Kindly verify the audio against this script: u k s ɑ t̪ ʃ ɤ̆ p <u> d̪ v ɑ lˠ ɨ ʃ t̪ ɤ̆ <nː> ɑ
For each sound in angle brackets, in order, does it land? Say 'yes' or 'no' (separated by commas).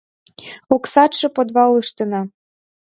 no, no